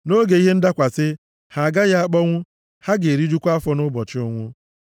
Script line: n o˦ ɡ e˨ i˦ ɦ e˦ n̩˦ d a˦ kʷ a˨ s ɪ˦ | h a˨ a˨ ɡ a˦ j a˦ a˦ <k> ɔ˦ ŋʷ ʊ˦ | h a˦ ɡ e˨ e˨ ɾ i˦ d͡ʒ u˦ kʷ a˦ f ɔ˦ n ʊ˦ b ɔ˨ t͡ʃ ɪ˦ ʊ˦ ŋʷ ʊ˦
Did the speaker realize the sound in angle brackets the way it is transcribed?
no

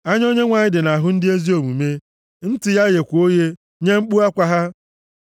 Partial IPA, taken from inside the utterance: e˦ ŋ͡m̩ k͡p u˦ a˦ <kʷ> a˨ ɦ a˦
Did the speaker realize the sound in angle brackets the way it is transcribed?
yes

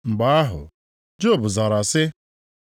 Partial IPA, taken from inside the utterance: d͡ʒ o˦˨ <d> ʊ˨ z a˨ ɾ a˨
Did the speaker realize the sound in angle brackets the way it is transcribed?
no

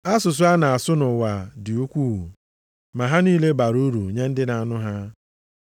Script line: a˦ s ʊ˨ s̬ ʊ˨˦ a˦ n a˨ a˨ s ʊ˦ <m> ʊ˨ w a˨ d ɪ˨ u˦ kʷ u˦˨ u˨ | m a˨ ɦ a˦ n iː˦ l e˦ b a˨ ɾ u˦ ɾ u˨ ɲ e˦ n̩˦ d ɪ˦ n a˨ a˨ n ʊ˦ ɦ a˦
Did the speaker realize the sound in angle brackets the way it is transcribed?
no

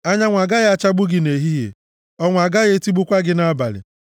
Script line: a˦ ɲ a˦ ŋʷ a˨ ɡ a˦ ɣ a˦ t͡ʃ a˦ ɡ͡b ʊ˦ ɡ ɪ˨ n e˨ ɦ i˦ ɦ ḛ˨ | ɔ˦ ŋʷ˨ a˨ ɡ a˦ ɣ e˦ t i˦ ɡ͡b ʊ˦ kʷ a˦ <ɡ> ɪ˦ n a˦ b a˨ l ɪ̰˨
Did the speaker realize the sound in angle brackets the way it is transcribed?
yes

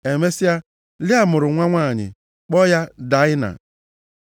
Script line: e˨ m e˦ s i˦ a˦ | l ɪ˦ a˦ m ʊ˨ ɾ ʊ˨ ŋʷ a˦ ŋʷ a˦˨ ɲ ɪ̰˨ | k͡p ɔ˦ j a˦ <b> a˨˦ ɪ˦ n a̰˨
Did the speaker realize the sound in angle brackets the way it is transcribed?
no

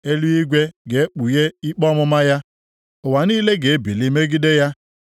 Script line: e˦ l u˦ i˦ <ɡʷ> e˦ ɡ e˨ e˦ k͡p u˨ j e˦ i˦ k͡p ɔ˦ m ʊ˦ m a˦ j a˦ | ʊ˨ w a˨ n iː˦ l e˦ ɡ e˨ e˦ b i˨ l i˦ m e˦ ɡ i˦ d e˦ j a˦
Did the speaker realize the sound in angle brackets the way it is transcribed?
yes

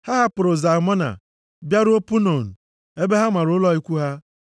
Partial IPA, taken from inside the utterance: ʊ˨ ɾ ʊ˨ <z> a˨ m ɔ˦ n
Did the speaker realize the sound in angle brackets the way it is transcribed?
yes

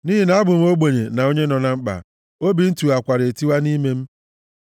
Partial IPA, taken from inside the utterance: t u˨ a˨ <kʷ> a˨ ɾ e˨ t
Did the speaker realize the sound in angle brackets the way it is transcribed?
yes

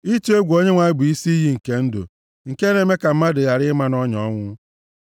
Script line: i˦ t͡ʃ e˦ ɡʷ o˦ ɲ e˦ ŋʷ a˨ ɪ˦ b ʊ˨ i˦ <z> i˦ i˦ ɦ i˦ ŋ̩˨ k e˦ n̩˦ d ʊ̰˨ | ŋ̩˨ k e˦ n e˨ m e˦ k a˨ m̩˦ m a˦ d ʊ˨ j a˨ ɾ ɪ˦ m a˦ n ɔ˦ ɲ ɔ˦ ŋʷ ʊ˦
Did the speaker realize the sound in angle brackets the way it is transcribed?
no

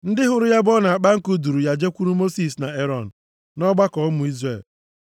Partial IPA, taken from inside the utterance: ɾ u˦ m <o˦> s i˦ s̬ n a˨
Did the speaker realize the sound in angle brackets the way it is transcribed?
yes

